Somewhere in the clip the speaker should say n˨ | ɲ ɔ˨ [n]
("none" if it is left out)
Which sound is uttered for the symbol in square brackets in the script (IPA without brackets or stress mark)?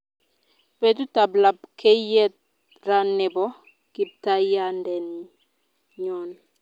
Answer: n